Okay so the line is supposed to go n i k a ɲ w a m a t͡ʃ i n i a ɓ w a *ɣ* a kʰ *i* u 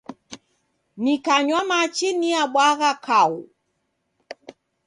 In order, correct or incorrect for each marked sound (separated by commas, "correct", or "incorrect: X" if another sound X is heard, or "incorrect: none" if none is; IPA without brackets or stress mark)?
correct, incorrect: a